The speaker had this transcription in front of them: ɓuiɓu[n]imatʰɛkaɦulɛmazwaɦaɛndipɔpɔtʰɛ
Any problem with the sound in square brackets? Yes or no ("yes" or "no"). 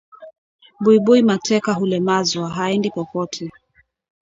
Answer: yes